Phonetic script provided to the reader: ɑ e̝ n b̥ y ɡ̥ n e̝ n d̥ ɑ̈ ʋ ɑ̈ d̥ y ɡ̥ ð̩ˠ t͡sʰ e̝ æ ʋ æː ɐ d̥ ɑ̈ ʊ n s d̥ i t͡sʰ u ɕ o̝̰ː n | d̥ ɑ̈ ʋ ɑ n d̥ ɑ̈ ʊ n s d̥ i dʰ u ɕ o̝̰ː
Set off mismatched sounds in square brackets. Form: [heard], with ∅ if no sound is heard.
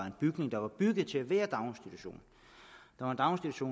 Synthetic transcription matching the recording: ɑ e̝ n b̥ y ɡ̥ n e̝ [ŋ] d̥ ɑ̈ ʋ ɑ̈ [b̥] y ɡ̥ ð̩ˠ t͡sʰ e̝ æ ʋ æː ɐ d̥ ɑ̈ ʊ n s d̥ i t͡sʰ u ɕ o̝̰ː n | d̥ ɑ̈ ʋ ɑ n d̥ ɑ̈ ʊ n s d̥ i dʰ u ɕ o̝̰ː